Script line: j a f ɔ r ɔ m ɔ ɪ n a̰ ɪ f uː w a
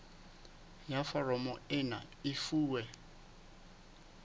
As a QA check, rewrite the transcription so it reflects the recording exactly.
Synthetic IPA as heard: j a f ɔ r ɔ m ɔ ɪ n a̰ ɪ f uː w ɛ